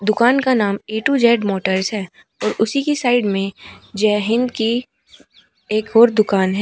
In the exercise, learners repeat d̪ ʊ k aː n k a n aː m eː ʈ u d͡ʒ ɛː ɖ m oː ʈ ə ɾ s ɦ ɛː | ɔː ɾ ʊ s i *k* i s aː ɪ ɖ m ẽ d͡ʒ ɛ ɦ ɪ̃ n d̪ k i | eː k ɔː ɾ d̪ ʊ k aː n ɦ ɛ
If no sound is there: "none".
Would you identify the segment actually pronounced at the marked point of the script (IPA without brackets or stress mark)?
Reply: k